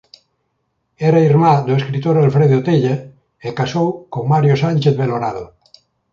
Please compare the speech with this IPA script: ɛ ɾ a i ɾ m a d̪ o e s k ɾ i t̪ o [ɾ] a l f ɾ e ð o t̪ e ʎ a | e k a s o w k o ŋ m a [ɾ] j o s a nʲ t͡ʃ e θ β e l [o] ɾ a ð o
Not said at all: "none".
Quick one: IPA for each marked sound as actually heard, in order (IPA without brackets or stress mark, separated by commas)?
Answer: ɾ, ɾ, o